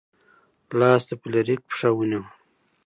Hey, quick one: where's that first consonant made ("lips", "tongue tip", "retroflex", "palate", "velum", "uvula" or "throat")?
tongue tip